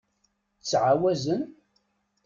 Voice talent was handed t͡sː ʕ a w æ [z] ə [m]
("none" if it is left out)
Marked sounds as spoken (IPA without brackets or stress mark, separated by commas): z, n